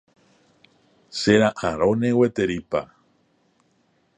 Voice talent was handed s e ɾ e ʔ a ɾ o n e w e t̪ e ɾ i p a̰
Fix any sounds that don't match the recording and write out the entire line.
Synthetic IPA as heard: s e ɾ a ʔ a ɾ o n e w e t̪ e ɾ i p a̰